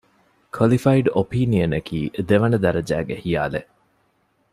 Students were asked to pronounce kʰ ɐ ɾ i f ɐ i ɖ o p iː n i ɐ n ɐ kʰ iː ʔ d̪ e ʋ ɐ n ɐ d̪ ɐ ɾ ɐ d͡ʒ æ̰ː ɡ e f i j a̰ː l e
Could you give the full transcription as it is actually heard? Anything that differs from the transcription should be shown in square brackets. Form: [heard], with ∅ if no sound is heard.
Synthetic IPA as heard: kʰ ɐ [l] i f ɐ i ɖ o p iː n i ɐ n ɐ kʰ iː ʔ d̪ e ʋ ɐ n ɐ d̪ ɐ ɾ ɐ d͡ʒ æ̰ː ɡ e [h] i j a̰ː l e